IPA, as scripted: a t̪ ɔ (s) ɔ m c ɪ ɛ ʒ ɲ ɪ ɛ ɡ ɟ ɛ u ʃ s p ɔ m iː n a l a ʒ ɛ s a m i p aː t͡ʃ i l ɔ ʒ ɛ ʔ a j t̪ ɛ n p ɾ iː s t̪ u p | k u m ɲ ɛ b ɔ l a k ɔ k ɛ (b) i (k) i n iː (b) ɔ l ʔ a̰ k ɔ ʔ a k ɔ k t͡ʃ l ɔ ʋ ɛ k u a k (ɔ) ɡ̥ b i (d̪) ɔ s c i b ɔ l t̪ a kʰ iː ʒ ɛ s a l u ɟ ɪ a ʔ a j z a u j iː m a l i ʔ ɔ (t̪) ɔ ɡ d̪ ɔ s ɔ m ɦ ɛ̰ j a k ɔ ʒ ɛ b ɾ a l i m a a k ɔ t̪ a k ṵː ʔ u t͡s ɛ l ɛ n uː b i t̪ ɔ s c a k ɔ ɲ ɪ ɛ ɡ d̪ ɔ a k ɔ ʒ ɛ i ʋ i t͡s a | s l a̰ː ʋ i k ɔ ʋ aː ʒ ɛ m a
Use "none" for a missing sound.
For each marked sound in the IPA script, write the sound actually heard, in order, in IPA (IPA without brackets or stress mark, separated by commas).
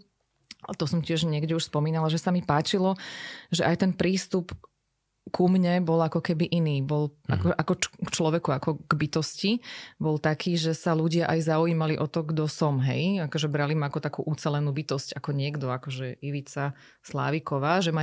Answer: s, b, ʔ, b, ɔ, t̪, t̪